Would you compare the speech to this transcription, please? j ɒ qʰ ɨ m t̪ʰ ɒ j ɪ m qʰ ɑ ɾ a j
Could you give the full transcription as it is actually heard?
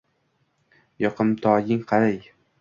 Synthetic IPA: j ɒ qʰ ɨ m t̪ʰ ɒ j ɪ ŋ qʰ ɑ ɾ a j